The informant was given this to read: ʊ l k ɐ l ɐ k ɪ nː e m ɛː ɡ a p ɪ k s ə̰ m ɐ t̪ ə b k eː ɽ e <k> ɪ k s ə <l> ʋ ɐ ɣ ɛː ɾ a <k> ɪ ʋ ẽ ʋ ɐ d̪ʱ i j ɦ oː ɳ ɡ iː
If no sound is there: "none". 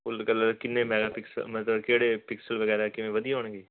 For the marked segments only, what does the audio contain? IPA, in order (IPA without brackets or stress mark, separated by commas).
p, l, k